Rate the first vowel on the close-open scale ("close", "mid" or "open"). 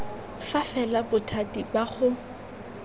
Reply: open